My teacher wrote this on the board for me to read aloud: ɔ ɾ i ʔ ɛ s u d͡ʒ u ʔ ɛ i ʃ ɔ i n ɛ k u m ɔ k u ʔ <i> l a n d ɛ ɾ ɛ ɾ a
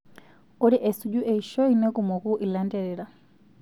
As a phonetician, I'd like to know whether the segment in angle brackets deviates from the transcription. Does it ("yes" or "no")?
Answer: no